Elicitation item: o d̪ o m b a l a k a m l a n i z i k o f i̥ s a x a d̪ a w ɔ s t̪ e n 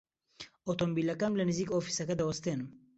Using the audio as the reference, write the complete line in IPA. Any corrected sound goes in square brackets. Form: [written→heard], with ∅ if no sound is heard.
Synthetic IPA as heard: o [d̪→t̪] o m b [a→i] l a k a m l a n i z i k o f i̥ s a [x→k] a d̪ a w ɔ s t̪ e n